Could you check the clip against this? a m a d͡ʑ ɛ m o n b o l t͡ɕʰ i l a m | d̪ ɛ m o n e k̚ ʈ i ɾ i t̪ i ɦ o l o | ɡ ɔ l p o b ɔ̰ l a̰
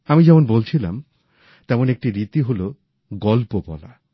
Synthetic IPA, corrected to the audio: a m i d͡ʑ ɛ m o n b o l t͡ɕʰ i l a m | t̪ ɛ m o n e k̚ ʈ i ɾ i t̪ i ɦ o l o | ɡ ɔ l p o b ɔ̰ l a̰